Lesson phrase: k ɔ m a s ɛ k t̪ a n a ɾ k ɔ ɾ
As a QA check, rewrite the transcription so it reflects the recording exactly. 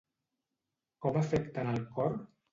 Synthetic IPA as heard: k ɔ m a f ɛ k t̪ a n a l k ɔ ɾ